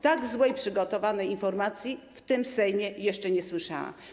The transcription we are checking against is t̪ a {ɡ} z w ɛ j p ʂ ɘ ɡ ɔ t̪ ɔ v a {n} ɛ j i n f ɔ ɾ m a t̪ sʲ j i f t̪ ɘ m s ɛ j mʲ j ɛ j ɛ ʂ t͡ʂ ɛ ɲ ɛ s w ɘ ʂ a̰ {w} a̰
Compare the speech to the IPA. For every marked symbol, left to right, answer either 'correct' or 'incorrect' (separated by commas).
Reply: correct, correct, correct